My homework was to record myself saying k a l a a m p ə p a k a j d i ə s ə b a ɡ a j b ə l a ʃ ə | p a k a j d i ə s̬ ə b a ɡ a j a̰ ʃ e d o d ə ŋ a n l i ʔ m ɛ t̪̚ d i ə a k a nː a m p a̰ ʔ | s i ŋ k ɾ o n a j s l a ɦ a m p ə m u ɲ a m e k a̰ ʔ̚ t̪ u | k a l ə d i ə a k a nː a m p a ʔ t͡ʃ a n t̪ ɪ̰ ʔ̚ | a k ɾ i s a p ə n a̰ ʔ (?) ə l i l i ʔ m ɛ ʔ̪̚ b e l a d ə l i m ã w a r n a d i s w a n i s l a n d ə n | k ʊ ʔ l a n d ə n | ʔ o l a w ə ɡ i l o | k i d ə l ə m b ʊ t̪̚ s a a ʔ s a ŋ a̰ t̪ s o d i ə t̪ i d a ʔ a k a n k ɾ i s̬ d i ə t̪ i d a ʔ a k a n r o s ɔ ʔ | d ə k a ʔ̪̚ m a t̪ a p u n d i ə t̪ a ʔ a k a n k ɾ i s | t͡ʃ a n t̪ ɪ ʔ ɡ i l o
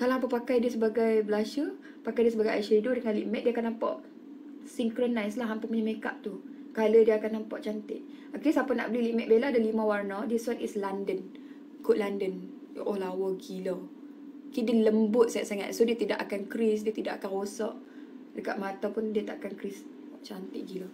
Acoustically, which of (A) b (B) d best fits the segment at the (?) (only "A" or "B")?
A